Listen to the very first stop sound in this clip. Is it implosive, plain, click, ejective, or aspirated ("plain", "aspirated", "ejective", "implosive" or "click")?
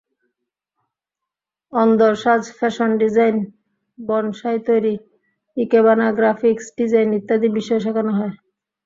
plain